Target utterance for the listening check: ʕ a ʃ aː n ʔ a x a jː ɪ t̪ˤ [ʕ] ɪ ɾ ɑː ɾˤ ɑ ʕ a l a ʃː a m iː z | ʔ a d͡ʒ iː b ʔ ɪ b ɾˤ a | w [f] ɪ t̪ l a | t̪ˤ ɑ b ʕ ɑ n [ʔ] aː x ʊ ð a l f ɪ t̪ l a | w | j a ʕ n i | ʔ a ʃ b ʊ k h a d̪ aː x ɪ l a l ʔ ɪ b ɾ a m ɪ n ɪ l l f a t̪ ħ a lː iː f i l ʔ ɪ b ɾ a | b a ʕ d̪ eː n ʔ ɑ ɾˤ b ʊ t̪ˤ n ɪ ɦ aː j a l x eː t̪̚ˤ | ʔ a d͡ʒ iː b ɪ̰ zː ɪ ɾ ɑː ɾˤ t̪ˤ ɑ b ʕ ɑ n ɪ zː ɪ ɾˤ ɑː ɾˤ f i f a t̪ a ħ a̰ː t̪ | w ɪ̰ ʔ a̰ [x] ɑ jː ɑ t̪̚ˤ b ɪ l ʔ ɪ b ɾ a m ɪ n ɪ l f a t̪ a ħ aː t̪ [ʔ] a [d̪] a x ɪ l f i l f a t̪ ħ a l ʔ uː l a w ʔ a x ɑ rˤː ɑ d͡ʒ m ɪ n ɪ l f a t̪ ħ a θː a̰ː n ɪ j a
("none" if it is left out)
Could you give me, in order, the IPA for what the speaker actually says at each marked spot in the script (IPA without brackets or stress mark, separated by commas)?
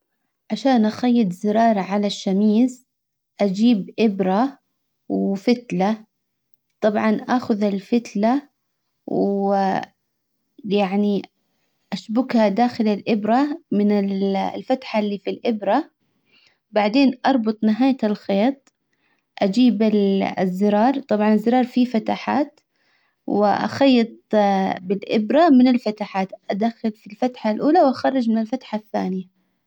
z, f, ʔ, x, ʔ, d̪